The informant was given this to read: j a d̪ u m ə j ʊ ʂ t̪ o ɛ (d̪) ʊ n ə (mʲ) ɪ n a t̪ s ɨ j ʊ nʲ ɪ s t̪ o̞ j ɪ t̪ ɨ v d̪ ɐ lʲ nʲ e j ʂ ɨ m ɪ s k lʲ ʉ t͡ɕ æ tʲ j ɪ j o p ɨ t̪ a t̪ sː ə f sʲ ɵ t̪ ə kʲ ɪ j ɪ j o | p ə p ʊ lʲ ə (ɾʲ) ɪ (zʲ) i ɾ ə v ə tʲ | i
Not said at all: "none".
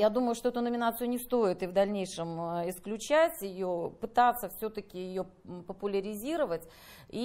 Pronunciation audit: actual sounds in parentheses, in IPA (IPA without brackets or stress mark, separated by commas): t̪, mʲ, ɾʲ, zʲ